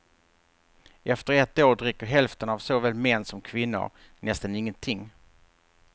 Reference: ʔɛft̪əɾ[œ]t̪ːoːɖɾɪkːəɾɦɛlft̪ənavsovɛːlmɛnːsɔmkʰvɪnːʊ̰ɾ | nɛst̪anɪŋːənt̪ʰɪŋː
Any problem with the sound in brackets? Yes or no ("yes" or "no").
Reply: yes